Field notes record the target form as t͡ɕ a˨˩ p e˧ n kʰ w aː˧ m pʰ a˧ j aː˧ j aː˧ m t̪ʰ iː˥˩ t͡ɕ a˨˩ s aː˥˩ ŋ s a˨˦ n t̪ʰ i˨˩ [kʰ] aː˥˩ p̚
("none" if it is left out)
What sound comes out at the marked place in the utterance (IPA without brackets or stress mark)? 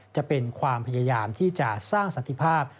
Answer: pʰ